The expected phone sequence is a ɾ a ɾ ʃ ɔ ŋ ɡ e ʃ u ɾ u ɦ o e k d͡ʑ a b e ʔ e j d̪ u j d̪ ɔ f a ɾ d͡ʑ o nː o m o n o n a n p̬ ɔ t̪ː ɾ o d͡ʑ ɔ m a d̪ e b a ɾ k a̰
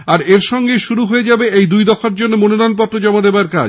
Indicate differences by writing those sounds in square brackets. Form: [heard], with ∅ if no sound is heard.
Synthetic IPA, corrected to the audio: a ɾ [e] ɾ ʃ ɔ ŋ ɡ e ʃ u ɾ u ɦ o e [∅] d͡ʑ a b e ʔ e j d̪ u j d̪ ɔ f a ɾ d͡ʑ o nː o m o n o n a n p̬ ɔ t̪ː ɾ o d͡ʑ ɔ m a d̪ e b a ɾ k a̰